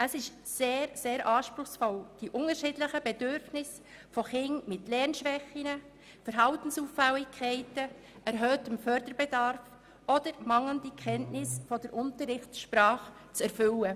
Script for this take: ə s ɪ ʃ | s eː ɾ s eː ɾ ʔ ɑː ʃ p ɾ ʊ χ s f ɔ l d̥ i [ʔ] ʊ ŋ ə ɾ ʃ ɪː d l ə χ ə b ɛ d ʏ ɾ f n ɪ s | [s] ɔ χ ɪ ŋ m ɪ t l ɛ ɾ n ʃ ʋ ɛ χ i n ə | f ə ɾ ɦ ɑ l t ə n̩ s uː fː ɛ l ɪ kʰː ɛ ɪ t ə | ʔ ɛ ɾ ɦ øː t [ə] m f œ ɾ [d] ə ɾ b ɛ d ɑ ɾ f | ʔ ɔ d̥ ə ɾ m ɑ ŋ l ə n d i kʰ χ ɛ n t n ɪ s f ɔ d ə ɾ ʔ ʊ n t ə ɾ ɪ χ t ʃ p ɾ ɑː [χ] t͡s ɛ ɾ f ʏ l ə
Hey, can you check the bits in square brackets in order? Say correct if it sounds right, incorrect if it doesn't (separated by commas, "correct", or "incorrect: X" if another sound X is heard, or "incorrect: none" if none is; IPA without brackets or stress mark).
correct, incorrect: f, correct, correct, correct